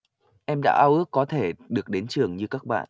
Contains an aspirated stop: yes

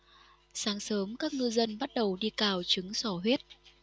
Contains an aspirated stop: no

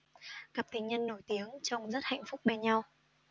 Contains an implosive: no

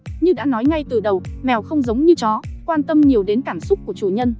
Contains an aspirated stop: no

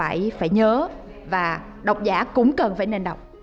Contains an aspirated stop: no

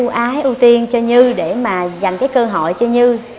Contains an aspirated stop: no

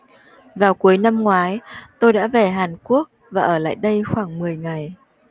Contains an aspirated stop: no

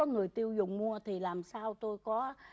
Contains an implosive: no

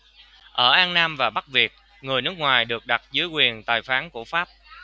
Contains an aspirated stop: no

